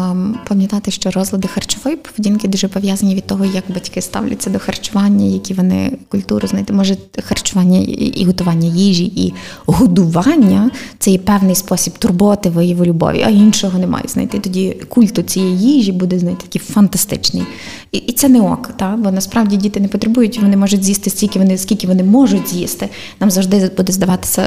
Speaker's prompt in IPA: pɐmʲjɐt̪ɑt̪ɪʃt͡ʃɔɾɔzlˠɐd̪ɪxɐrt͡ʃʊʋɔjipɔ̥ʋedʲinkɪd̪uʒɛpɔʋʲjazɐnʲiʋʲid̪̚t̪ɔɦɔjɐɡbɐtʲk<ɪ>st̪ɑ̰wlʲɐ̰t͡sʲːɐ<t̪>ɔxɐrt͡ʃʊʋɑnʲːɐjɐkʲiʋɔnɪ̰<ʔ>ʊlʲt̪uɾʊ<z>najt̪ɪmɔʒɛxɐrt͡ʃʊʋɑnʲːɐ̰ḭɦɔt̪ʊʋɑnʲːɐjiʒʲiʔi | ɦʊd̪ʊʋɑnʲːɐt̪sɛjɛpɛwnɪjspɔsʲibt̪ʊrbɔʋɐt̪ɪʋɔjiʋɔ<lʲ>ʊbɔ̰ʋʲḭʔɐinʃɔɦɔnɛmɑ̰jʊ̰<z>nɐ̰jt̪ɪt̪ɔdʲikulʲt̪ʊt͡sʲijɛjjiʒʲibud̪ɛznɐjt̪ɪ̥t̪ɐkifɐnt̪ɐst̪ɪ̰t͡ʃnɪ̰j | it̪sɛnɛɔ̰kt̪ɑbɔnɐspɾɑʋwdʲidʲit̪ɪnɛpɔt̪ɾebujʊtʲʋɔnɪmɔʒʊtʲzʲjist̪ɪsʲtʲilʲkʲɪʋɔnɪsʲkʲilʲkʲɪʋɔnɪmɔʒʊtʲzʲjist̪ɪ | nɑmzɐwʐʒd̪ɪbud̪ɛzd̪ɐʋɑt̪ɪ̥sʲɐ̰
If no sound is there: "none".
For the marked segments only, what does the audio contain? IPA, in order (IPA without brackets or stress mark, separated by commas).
ɪ, d̪, k, z, lʲ, z